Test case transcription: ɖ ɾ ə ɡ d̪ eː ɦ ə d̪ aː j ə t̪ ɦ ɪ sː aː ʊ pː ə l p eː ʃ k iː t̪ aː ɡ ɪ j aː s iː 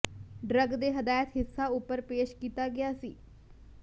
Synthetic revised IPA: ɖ ɾ ə ɡ d̪ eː ɦ ə d̪ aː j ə t̪ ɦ ɪ sː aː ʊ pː ə ɾ p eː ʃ k iː t̪ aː ɡ ɪ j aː s iː